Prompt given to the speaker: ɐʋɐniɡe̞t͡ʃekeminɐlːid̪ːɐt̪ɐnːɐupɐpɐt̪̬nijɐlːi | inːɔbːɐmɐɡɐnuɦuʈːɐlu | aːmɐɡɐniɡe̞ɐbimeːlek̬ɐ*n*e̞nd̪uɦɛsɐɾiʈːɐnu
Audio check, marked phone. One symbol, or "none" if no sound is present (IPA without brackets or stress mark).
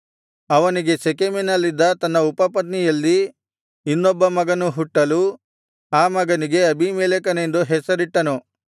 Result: n